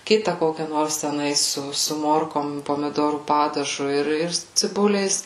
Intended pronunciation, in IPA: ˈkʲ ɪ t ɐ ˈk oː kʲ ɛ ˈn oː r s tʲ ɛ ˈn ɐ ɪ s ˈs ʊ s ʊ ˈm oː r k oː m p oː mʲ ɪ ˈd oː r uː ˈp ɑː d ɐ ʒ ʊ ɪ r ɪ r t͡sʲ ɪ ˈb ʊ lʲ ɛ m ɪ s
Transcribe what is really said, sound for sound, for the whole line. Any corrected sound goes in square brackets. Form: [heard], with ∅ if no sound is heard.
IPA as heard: ˈkʲ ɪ t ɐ ˈk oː kʲ ɛ ˈn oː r s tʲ ɛ ˈn ɐ ɪ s ˈs ʊ s ʊ ˈm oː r k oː m p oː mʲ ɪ ˈd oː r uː ˈp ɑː d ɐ ʒ ʊ ɪ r ɪ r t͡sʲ ɪ ˈb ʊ lʲ ɛ [∅] ɪ s